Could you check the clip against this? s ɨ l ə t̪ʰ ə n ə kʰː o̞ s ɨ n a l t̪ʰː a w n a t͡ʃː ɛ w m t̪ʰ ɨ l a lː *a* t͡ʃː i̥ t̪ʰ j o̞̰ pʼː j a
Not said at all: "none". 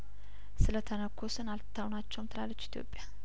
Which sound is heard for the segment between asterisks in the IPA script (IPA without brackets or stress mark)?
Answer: ə